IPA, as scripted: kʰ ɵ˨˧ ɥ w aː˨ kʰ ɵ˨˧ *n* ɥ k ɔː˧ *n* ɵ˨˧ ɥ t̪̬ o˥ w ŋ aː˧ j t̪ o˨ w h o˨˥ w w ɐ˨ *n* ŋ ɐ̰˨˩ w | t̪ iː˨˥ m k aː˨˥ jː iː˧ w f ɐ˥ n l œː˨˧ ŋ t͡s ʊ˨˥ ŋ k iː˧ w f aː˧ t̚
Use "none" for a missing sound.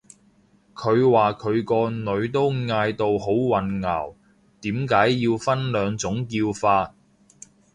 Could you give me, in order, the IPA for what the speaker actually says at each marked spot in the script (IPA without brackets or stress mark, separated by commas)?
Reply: none, n, n